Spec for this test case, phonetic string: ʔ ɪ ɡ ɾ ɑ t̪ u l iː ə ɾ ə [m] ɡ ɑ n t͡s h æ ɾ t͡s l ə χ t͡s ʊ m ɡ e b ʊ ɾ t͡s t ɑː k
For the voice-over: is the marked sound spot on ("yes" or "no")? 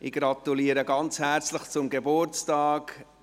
no